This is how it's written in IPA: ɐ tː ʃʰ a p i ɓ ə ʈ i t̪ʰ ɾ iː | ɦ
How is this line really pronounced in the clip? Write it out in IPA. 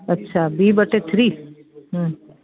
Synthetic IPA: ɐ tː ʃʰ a b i b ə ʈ e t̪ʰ ɾ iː | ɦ